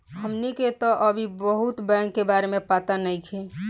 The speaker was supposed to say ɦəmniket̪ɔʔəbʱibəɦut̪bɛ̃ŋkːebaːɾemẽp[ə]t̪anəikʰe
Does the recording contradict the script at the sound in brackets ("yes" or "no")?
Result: yes